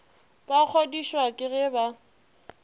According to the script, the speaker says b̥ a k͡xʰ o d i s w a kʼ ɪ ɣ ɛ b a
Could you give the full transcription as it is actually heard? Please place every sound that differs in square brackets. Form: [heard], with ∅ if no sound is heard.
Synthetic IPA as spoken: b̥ a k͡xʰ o d i [ʃ] w a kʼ ɪ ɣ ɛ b a